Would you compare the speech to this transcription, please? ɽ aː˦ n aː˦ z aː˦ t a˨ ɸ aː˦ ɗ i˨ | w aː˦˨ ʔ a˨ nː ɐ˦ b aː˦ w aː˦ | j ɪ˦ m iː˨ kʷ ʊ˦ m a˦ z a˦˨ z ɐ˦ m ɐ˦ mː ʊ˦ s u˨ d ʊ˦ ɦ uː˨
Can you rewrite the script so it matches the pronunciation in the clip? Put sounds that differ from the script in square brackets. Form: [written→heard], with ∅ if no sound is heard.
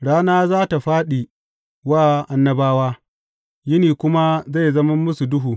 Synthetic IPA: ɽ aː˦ n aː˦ z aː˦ t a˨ ɸ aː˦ ɗ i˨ | w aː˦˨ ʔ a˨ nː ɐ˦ b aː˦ w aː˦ | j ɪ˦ [m→n] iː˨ kʷ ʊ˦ m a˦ z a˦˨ z ɐ˦ m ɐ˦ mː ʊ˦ s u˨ d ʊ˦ ɦ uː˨